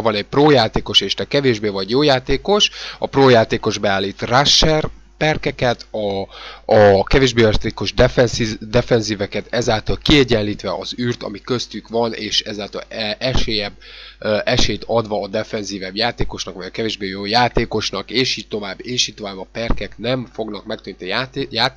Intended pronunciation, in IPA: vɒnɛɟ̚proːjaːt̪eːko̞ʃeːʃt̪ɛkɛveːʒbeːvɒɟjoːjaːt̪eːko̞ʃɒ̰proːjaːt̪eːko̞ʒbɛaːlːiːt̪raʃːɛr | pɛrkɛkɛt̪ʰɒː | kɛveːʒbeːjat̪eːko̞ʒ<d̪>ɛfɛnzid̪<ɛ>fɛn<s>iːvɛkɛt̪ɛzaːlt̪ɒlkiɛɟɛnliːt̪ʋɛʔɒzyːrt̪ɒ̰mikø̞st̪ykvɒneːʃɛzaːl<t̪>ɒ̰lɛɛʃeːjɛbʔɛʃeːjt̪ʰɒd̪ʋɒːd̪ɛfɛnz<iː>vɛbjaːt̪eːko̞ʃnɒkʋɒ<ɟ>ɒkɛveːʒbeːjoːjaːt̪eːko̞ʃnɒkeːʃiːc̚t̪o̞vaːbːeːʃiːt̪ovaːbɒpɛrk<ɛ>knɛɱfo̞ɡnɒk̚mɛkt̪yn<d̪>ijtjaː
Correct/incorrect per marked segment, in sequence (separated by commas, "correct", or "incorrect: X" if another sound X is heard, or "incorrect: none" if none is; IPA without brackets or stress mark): correct, correct, incorrect: z, correct, correct, correct, correct, incorrect: t̪